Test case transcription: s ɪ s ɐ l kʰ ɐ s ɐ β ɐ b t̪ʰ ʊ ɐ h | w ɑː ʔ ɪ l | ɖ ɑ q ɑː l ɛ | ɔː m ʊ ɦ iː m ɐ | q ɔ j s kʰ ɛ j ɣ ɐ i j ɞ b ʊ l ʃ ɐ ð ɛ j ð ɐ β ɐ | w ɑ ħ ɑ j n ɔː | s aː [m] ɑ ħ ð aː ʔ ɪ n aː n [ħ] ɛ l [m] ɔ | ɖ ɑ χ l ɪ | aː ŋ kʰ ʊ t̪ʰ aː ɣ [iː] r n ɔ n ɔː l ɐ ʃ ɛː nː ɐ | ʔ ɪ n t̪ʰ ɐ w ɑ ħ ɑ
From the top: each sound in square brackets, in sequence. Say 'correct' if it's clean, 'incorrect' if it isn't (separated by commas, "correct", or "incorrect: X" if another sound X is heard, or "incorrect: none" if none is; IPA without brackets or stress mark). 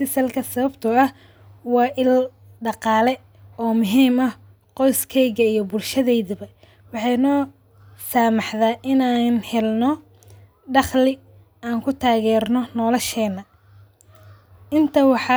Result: correct, incorrect: h, incorrect: n, incorrect: ɛː